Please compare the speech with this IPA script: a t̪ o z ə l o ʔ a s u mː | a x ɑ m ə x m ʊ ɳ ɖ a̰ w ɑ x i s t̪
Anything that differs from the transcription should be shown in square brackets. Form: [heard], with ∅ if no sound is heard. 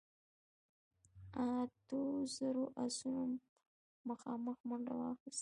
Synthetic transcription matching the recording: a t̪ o z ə [ɾ] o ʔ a s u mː | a x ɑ m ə x m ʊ ɳ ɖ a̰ w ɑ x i s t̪

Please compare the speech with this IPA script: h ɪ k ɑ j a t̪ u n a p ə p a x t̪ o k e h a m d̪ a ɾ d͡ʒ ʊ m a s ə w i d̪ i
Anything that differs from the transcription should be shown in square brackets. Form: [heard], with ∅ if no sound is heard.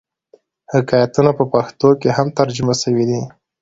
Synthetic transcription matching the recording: h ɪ k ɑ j a t̪ u n a p ə p a x t̪ o k e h a m [t̪] a ɾ d͡ʒ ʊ m a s ə w i d̪ i

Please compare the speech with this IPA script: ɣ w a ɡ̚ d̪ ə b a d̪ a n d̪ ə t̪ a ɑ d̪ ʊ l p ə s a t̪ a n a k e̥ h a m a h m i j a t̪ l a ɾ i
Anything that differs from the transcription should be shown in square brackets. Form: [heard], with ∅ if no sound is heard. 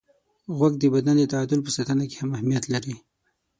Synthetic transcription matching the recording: ɣ w a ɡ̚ d̪ ə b a d̪ a n d̪ ə t̪ a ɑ d̪ ʊ l p ə s a t̪ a n a k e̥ h a m a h m i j a t̪ l a ɾ i

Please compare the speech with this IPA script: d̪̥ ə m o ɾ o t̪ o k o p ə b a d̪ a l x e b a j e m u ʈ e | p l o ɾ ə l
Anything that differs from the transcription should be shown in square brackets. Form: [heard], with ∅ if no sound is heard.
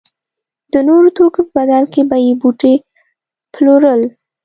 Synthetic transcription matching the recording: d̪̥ ə [n] o ɾ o t̪ o k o p ə b a d̪ a l [k] e b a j e [b] u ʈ e | p l o ɾ ə l

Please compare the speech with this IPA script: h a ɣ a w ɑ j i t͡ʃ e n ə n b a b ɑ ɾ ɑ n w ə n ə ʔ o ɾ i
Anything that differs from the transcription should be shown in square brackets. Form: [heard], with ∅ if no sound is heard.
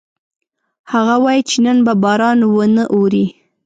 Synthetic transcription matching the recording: h a ɣ a w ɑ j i t͡ʃ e n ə n b a b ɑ ɾ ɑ n w ə n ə ʔ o ɾ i

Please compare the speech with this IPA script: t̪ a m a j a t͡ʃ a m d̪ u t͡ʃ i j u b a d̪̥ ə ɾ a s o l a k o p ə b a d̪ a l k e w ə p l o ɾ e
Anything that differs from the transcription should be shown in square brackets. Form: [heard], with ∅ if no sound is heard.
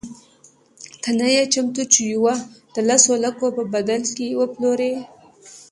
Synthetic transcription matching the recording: t̪ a [n] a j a t͡ʃ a m [t̪] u t͡ʃ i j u [w] a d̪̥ ə [l] a s o l a k o p ə b a d̪ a l k e w ə p l o ɾ e

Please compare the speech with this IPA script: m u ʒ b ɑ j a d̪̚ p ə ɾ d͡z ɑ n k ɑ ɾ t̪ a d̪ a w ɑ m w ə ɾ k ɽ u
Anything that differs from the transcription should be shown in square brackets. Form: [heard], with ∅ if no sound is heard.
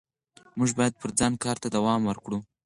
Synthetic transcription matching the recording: m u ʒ b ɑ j a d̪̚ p ə ɾ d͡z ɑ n k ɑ ɾ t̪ a d̪ a w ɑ m w ə ɾ k ɽ u

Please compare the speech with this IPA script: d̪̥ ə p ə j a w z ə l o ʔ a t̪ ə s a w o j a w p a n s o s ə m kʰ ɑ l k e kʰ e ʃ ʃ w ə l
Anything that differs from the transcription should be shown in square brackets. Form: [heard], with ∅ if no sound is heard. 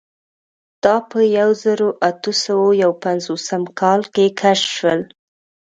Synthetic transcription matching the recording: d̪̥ [ɑ] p ə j a w z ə [ɾ] o ʔ a t̪ ə s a w o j a w p a n [z] o s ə m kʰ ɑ l k e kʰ [a] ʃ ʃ w ə l

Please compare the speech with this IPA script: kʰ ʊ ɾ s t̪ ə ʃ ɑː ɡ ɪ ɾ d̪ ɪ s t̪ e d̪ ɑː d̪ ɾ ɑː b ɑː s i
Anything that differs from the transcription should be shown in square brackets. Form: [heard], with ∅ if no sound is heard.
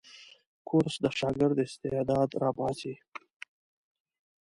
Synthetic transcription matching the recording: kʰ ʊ ɾ s [d̪] ə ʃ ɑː ɡ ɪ ɾ d̪ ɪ s t̪ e d̪ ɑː d̪ ɾ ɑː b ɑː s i

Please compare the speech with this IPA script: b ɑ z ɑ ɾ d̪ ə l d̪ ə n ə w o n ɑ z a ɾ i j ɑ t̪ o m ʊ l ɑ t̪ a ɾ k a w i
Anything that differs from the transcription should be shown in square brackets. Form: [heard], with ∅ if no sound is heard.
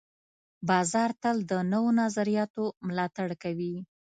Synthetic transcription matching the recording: b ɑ z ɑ ɾ [t̪] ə l d̪ ə n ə w o n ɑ z a ɾ i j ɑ t̪ o m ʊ l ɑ t̪ a [ɽ] k a w i

